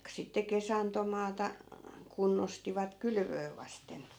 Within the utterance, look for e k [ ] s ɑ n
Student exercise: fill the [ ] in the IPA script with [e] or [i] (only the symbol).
e